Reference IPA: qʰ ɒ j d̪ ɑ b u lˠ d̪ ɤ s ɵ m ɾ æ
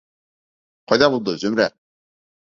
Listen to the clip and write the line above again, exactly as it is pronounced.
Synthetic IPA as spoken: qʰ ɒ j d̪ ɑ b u lˠ d̪ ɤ z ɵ m ɾ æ